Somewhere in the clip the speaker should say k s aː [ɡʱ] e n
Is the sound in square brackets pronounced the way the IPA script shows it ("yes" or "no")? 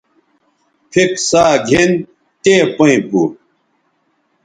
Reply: yes